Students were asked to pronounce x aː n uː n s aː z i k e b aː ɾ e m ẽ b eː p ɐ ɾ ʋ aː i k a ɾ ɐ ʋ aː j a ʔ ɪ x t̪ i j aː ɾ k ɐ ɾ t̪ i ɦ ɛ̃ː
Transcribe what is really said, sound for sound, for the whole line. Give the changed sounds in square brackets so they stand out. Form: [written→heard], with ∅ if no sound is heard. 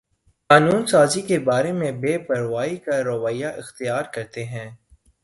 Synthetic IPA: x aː n uː n s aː z i k e b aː ɾ e m ẽ b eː p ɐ ɾ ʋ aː i k a ɾ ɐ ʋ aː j a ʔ ɪ x t̪ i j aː ɾ k ɐ ɾ t̪ [i→e] ɦ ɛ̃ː